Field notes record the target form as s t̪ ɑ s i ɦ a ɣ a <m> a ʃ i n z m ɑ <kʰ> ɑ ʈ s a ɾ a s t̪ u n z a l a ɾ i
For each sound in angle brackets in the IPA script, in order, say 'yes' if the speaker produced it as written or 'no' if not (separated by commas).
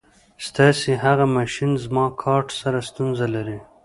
yes, yes